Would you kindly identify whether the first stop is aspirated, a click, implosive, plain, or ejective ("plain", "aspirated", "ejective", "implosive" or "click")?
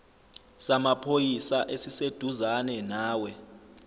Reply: aspirated